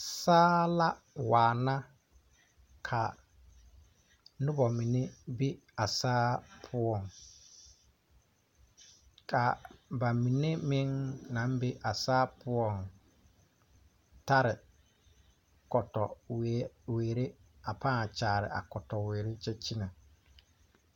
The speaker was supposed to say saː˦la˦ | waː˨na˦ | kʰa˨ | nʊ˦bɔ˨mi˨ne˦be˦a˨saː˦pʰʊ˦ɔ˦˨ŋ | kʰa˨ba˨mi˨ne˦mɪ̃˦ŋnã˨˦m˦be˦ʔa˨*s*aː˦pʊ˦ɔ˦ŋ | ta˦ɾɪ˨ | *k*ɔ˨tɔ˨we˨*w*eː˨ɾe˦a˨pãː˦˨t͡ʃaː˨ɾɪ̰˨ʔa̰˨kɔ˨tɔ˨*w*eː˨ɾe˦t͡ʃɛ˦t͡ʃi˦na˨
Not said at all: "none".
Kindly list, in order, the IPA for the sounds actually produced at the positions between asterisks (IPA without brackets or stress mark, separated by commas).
s, k, w, w